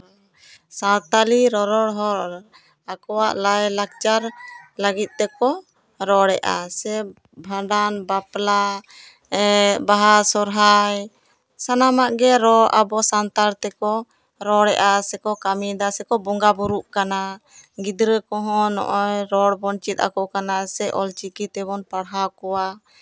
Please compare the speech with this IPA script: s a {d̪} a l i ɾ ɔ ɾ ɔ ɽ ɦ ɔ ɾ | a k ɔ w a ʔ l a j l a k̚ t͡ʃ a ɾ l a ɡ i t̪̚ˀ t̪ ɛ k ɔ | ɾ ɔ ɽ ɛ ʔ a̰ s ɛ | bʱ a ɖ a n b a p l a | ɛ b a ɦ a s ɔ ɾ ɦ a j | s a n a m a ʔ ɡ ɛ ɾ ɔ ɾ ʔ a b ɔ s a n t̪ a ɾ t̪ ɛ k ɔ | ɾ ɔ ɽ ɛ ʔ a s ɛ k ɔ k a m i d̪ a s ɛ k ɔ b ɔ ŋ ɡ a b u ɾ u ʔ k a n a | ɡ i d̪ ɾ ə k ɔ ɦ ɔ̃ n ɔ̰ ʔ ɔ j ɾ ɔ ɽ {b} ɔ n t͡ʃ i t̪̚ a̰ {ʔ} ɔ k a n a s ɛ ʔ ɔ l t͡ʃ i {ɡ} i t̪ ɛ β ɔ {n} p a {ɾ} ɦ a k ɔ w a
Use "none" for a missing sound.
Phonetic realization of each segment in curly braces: t̪, b, k, k, n, ɽ

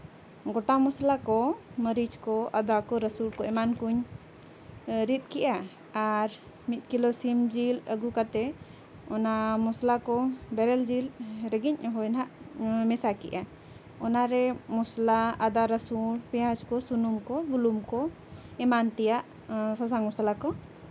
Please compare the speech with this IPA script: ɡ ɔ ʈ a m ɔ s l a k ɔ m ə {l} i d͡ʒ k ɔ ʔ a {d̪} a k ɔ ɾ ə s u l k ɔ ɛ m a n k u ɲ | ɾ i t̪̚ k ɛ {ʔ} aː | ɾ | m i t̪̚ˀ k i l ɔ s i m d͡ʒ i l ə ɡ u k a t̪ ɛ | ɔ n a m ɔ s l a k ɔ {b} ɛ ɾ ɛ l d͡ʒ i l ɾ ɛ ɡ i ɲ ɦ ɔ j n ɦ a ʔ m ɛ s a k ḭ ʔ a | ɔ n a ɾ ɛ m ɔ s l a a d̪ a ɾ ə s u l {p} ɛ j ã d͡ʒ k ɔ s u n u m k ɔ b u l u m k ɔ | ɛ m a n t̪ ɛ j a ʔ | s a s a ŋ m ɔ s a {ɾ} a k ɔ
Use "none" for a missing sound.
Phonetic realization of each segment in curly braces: ɾ, d̪, ʔ, b, p, l

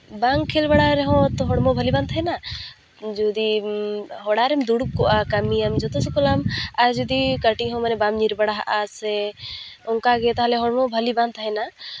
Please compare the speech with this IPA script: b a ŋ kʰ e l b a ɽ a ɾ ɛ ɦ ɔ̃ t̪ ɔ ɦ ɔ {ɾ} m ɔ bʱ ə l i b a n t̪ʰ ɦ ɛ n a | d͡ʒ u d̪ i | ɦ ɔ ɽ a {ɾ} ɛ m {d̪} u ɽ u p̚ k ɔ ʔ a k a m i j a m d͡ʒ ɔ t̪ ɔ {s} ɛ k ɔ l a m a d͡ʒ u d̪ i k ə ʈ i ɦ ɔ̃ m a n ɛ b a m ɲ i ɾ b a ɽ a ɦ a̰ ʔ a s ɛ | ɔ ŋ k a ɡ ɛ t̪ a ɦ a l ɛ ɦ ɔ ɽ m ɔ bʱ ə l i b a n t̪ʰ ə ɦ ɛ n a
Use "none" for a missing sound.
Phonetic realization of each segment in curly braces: ɽ, ɾ, d̪, s

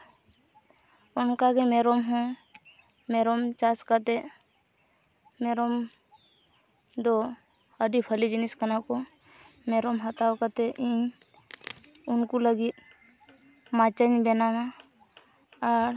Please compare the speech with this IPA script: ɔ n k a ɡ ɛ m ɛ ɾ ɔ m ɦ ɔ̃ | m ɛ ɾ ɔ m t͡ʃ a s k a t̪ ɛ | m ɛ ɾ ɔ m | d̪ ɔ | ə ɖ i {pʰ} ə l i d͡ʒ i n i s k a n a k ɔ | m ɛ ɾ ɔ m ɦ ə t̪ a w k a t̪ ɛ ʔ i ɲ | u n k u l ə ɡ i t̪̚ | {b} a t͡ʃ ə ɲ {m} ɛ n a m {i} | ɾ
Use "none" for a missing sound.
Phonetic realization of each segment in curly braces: pʰ, m, b, a

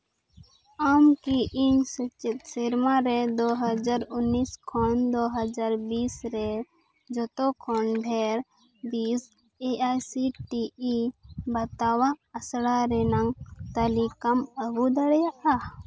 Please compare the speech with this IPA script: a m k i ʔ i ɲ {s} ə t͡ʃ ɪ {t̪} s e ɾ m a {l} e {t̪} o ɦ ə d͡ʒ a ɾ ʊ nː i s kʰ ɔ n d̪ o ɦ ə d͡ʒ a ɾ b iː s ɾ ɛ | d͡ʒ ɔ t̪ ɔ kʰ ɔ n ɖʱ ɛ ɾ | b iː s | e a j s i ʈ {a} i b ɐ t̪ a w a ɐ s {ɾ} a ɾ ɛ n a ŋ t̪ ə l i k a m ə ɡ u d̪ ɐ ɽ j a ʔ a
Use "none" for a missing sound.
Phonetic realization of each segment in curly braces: s, t̪, ɾ, d̪, i, ɽ

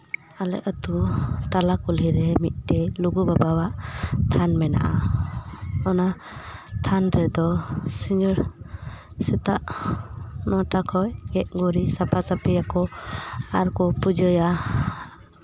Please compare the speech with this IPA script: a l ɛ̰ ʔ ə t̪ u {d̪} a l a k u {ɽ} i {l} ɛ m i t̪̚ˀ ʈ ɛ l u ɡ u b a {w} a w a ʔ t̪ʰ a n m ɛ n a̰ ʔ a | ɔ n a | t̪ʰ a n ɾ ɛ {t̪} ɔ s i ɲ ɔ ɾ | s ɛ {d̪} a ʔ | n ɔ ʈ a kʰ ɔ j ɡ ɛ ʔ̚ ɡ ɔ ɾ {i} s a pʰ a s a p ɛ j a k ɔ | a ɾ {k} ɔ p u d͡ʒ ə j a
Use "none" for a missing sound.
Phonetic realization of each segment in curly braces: t̪, l, ɾ, b, d̪, t̪, i, k

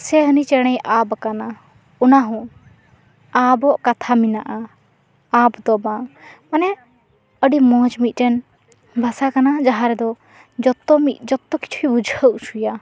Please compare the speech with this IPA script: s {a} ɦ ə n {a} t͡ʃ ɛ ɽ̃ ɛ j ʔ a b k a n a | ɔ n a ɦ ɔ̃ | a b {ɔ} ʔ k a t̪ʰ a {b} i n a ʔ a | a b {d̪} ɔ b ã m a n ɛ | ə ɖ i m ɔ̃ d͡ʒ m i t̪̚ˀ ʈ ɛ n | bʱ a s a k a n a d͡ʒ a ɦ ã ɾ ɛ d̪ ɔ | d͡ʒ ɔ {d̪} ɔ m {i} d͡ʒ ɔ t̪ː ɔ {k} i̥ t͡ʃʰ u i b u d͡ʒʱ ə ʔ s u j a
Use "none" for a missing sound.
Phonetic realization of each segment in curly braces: ɛ, i, ɔ, m, d̪, t̪, i, k

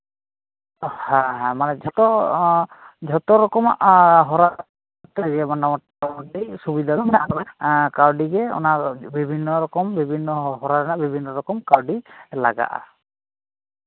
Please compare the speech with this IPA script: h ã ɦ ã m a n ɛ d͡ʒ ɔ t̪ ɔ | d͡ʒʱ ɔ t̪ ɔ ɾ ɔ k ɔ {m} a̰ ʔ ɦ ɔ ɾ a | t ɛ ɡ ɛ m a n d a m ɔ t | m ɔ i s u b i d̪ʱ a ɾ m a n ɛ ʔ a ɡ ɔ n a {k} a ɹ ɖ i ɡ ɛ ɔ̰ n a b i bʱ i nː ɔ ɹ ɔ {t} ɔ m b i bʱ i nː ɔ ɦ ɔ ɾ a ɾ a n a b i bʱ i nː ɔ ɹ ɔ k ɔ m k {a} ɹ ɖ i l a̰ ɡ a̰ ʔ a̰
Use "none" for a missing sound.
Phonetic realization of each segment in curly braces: m, k, k, a

